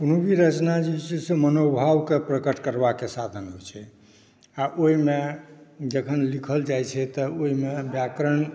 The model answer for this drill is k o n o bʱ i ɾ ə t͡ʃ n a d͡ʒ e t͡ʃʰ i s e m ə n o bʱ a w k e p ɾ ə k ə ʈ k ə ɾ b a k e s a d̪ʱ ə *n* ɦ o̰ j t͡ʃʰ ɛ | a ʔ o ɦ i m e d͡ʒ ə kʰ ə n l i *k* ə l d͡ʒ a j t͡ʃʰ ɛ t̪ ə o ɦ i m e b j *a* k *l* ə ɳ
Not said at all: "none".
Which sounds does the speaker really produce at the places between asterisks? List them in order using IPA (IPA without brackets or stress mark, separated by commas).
n, kʰ, a, ɾ